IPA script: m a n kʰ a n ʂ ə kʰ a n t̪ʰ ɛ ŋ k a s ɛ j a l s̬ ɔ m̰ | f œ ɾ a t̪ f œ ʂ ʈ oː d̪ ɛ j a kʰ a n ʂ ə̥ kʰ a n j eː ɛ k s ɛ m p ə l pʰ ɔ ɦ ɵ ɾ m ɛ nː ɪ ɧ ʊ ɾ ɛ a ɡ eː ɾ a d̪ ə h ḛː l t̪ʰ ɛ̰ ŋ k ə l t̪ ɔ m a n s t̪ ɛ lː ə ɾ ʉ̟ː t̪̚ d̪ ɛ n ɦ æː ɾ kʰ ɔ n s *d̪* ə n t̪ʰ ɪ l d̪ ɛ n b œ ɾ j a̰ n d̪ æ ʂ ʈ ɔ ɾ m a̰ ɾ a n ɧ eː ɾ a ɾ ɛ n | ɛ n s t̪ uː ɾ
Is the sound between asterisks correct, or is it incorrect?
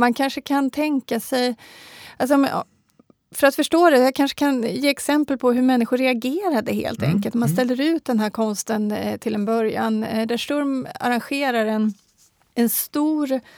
incorrect